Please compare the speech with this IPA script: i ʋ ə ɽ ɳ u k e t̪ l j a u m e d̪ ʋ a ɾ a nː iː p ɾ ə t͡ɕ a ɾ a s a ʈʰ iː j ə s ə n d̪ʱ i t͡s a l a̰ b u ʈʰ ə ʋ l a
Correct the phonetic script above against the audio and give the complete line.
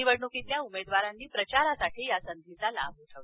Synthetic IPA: i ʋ ə ɽ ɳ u k i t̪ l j a u m e d̪ ʋ a ɾ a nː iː p ɾ ə t͡ɕ a ɾ a s a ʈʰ iː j a s ə n d̪ʱ i t͡s a l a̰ b u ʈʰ ə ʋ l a

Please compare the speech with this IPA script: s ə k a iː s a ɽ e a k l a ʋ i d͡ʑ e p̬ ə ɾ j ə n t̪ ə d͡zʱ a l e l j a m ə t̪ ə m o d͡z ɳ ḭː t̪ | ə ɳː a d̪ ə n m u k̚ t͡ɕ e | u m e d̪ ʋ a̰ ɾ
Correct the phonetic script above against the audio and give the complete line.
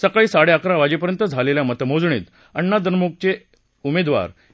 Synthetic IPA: s ə k a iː s a ɽ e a k ɾ a ʋ a d͡ʑ e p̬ ə ɾ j ə n t̪ ə d͡zʱ a l e l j a m ə t̪ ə m o d͡z ɳ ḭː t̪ | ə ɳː a d̪ ə n m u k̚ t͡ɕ e | u m e d̪ ʋ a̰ ɾ

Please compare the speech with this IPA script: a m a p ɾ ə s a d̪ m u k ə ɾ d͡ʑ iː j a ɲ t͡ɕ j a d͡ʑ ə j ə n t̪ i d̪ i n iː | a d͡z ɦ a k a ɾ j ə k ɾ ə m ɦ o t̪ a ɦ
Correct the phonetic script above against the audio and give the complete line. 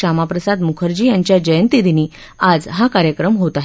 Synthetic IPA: a m a p ɾ ə s a d̪ m u kʰ ə ɾ d͡ʑ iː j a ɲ t͡ɕ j a d͡ʑ ə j ə n t̪ i d̪ i n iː | a d͡z ɦ a k a ɾ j ə k ɾ ə m ɦ o t̪ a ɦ

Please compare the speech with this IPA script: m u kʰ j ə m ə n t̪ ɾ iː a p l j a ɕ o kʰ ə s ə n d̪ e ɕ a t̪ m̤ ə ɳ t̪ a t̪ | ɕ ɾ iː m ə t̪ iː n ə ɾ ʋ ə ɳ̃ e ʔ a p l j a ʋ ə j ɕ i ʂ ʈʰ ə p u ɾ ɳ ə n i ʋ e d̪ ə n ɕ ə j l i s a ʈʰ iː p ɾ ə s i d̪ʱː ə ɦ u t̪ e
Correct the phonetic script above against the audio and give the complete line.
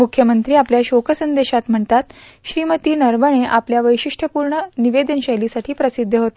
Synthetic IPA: m u kʰ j ə m ə n t̪ ɾ iː a p l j a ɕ o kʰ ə s ə n d̪ e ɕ a t̪ m̤ ə ɳ t̪ a t̪ | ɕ ɾ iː m ə t̪ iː n ə ɾ ʋ ə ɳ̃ e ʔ a p l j a ʋ ə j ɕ i ʂ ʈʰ ə p u ɾ ɳ ə n i ʋ e d̪ ə n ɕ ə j l i s a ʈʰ iː p ɾ ə s i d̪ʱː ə ɦ o t̪ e

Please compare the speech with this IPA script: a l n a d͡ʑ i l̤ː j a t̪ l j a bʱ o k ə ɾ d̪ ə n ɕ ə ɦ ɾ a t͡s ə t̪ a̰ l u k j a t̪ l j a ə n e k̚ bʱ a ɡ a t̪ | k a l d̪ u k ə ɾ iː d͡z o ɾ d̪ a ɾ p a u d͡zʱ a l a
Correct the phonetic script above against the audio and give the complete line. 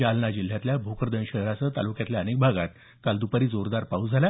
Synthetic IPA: a l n a d͡ʑ i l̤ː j a t̪ l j a bʱ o k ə ɾ d̪ ə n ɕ ə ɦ ɾ a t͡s ə t̪ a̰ l u k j a t̪ l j a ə n e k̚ bʱ a ɡ a t̪ | k a l d̪ u p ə ɾ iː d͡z o ɾ d̪ a ɾ p a u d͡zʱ a l a

